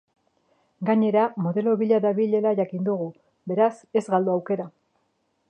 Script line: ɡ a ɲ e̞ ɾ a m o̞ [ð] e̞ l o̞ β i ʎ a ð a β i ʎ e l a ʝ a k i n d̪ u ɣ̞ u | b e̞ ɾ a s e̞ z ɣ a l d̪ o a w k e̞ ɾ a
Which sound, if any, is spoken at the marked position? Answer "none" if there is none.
ð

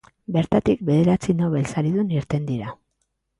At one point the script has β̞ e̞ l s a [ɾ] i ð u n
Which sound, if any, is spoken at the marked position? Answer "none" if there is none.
ɾ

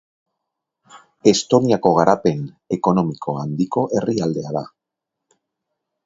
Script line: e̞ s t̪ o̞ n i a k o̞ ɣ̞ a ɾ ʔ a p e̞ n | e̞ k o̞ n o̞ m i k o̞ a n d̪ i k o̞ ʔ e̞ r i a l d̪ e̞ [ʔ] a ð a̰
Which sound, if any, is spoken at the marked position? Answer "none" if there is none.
none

